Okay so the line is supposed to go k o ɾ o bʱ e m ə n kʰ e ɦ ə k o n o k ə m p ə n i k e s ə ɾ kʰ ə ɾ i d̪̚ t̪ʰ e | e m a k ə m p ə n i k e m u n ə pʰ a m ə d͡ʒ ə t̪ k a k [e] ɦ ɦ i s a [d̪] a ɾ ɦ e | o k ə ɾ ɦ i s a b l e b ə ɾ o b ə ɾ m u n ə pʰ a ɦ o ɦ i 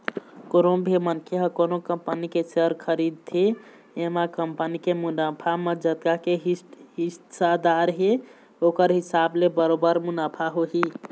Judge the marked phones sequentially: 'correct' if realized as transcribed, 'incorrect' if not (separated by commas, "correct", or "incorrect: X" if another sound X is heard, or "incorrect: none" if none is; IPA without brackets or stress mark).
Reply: correct, correct